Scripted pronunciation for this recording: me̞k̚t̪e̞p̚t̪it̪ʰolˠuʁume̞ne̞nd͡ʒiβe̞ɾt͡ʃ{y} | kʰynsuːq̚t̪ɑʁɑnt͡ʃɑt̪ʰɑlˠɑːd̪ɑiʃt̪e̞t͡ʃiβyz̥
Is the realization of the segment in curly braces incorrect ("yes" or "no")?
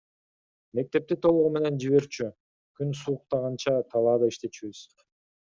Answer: no